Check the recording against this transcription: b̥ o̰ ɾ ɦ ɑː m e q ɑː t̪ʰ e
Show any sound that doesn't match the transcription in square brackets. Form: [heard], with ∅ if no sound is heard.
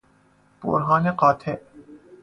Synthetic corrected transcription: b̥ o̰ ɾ ɦ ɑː [n] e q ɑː t̪ʰ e